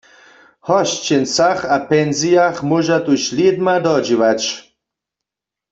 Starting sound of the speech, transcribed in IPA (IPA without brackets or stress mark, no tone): h